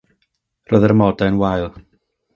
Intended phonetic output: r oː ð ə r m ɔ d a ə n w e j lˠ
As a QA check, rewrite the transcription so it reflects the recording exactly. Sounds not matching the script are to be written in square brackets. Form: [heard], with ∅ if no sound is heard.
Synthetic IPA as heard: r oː ð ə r m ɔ d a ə n w [a] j lˠ